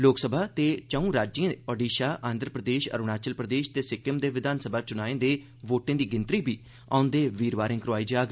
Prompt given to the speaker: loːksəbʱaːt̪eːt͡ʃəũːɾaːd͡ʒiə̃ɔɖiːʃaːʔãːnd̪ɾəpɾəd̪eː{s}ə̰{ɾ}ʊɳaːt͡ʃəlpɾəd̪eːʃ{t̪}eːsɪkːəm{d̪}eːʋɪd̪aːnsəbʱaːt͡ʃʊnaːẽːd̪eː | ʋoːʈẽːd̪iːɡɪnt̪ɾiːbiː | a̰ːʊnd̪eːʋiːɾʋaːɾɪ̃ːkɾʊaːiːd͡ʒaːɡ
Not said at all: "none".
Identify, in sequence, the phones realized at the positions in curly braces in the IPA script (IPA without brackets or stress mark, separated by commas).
ʃ, ɾ, t̪, d̪